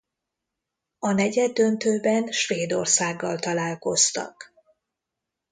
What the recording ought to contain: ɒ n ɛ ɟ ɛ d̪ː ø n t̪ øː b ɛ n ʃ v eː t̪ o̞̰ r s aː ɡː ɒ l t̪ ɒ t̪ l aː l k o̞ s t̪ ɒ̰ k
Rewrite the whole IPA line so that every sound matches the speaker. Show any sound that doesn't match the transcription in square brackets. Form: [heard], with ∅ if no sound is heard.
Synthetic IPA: ɒ n ɛ ɟ ɛ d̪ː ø n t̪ øː b ɛ n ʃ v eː [d̪] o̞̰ r s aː ɡː ɒ l t̪ ɒ [∅] l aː l k o̞ s t̪ ɒ̰ k